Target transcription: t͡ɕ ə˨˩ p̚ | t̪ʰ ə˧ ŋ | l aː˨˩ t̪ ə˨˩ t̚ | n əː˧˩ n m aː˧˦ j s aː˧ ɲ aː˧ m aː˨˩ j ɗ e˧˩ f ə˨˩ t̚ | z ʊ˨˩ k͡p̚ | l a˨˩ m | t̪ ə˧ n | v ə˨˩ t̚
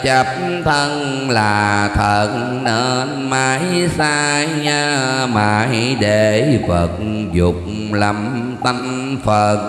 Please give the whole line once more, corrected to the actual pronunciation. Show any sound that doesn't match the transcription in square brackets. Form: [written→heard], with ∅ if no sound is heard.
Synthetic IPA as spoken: t͡ɕ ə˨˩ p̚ | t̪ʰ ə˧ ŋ | l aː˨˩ [t̪→t̪ʰ] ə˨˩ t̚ | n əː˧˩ n m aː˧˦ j s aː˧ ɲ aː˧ m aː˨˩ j ɗ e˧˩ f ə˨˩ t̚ | z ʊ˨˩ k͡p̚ | l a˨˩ m | t̪ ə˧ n | [v→f] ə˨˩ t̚